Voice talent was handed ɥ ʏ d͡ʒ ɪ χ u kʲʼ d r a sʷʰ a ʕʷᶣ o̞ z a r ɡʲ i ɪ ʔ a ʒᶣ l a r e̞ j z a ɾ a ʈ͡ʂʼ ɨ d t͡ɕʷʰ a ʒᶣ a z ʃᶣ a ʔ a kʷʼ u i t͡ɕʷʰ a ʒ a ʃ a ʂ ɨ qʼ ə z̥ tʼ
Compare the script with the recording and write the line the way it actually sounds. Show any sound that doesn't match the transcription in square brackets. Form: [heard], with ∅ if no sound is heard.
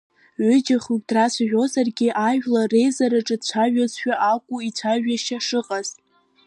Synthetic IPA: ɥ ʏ d͡ʒ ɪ χ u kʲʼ d r a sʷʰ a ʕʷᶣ o̞ z a r ɡʲ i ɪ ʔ a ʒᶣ l a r e̞ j z a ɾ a ʈ͡ʂʼ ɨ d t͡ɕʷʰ a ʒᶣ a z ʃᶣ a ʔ a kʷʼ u i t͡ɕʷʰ a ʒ a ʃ a ʂ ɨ qʼ [a] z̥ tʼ